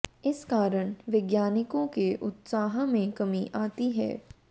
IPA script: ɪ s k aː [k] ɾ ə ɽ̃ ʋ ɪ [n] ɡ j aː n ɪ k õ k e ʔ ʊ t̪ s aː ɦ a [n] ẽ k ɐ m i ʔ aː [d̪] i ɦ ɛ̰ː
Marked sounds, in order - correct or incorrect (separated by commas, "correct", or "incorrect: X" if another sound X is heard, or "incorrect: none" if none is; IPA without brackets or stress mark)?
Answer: incorrect: none, incorrect: none, incorrect: m, incorrect: t̪